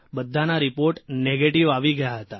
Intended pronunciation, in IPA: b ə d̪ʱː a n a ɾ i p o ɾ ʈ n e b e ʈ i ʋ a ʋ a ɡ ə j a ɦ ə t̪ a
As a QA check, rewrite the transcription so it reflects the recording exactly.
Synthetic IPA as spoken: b ə d̪ʱː a n a ɾ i p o ɾ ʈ n e ɡ e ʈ i ʋ a ʋ i ɡ ə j a ɦ ə t̪ a

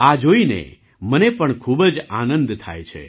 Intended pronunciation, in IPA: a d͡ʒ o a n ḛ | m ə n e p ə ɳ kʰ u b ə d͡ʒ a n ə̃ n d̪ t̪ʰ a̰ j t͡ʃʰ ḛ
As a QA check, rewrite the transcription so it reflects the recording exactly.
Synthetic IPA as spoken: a d͡ʒ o i n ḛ | m ə n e p ə ɳ kʰ u b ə d͡ʒ a n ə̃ n d̪ t̪ʰ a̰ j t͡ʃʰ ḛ

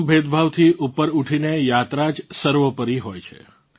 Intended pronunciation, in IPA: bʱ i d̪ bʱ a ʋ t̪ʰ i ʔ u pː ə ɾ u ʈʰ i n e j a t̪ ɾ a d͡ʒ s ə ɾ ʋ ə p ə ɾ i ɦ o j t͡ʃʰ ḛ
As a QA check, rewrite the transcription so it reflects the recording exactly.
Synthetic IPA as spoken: bʱ e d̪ bʱ a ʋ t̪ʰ i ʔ u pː ə ɾ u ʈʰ i n e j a t̪ ɾ a d͡ʒ s ə ɾ ʋ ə p ə ɾ i ɦ o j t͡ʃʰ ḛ

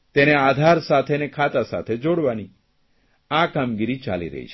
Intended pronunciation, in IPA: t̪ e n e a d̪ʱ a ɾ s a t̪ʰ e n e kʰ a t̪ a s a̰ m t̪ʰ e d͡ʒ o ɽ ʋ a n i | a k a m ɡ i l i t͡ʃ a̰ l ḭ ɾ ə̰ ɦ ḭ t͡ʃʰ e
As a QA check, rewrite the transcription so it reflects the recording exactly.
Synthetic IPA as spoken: t̪ e n e a d̪ʱ a ɾ s a t̪ʰ e n e kʰ a t̪ a s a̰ t̪ʰ e d͡ʒ o ɽ ʋ a n i | a k a m ɡ i ɾ i t͡ʃ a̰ l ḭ ɾ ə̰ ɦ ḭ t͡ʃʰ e

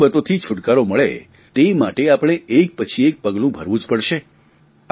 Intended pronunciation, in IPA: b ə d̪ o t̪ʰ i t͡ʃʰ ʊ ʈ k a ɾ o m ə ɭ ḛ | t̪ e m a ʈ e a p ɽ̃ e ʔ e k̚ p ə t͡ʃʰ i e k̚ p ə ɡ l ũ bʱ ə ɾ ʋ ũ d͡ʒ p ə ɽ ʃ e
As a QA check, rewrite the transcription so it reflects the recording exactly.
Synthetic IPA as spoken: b ə t̪ o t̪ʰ i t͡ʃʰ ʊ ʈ k a ɾ o m ə ɭ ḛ | t̪ e m a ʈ e a p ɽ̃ e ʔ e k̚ p ə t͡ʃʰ i e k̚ p ə ɡ l ũ bʱ ə ɾ ʋ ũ d͡ʒ p ə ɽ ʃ e

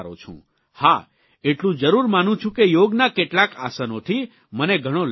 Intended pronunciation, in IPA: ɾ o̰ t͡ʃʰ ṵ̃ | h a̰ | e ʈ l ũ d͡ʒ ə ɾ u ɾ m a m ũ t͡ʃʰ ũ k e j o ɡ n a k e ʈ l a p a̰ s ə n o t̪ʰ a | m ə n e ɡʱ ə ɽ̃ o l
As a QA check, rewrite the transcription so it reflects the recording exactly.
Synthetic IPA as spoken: ɾ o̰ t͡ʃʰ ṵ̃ | h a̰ | e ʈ l ũ d͡ʒ ə ɾ u ɾ m a n ũ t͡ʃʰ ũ k e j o ɡ n a k e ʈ l a k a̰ s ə n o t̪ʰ i | m ə n e ɡʱ ə ɽ̃ o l

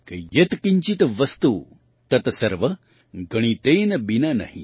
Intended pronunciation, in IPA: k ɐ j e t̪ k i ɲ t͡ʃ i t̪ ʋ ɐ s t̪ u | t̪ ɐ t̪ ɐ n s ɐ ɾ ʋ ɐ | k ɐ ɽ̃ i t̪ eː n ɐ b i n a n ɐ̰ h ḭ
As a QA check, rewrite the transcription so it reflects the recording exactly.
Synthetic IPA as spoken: k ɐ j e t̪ k i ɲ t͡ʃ i t̪ ʋ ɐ s t̪ u | t̪ ɐ t̪ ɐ s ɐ ɾ ʋ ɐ | ɡ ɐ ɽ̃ i t̪ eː n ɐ b i n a n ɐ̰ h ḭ

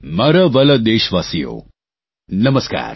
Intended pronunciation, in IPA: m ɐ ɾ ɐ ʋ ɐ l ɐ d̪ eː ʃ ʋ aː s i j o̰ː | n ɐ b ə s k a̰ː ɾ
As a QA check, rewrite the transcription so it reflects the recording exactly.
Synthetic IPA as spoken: m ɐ ɾ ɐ ʋ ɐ l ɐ d̪ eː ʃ ʋ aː s i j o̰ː | n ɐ m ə s k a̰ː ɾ

